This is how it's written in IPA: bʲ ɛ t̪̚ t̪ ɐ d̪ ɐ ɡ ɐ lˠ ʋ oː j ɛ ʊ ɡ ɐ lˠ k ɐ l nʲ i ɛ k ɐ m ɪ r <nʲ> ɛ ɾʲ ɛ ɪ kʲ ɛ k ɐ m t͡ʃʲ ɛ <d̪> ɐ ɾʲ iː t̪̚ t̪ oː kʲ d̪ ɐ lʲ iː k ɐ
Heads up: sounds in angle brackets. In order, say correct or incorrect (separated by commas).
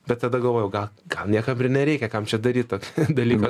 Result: correct, correct